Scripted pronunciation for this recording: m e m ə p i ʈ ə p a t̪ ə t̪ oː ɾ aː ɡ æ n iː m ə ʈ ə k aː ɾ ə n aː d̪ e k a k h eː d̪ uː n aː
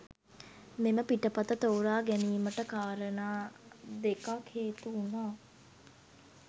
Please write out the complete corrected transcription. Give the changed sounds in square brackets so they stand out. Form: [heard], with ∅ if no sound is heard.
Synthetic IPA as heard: m e m ə p i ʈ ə p a t̪ ə t̪ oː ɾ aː ɡ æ n iː m ə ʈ ə k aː ɾ ə n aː d̪ e k a k h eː [t̪] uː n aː